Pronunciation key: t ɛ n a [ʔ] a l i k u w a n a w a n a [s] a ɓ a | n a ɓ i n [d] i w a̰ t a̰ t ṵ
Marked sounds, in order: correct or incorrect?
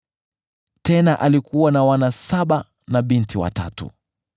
correct, correct, incorrect: t

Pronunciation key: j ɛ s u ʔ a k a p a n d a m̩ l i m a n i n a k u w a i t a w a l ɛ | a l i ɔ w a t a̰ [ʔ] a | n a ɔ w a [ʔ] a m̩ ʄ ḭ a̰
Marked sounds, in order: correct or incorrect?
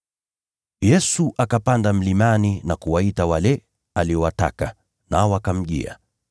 incorrect: k, incorrect: k

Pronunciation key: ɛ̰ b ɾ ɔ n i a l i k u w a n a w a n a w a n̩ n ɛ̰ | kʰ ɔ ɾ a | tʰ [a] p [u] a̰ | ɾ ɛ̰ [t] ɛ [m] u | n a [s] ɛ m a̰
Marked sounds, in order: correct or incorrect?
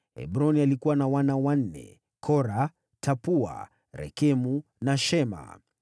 correct, correct, incorrect: k, correct, incorrect: ʃ

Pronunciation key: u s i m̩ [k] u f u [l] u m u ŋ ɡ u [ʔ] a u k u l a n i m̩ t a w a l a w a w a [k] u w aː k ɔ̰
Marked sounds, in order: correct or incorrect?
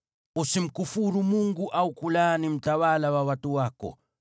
correct, incorrect: ɾ, correct, incorrect: t

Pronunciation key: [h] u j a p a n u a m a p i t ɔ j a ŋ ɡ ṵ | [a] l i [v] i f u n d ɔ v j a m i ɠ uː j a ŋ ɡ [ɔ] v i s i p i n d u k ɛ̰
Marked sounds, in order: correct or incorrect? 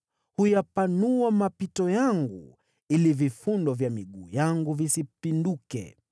correct, incorrect: i, correct, incorrect: u

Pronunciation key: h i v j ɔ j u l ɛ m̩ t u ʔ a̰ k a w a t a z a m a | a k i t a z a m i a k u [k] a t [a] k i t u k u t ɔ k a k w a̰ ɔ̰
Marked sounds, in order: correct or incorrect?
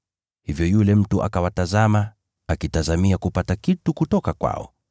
incorrect: p, correct

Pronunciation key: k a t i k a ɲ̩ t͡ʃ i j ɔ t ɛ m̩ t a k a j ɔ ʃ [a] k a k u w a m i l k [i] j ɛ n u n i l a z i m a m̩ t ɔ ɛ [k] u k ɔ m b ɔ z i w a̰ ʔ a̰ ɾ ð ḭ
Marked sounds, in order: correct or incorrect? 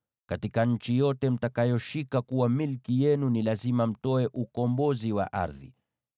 incorrect: i, correct, incorrect: ʔ

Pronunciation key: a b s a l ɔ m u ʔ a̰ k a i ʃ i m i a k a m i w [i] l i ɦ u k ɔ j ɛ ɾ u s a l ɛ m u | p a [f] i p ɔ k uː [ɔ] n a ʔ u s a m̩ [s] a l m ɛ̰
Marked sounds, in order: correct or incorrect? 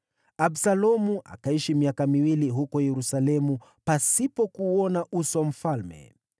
correct, incorrect: s, correct, incorrect: f

